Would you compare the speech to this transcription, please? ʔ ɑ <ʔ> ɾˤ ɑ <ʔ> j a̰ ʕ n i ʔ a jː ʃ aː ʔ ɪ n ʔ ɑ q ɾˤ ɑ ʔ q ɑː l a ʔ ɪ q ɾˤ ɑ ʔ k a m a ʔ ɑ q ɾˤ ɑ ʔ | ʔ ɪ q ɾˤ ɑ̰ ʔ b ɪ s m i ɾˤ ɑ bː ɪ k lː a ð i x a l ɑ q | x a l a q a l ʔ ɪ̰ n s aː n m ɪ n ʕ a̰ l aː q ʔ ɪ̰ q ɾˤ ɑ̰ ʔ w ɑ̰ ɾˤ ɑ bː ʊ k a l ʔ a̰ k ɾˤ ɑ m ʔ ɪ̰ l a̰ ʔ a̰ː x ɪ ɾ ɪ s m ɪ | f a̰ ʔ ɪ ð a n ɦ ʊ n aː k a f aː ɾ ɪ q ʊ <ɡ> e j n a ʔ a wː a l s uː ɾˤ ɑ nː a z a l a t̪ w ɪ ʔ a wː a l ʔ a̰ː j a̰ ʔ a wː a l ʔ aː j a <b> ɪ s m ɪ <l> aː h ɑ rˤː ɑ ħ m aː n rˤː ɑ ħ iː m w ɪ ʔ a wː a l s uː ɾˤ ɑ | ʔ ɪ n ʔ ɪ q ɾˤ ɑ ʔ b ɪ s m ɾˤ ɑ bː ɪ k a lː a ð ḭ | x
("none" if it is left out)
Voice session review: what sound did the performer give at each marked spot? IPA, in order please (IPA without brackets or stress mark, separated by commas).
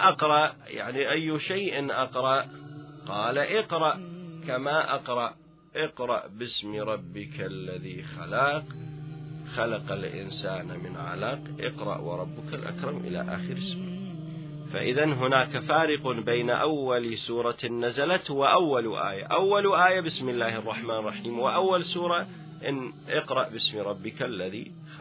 q, ʔ, b, b, lː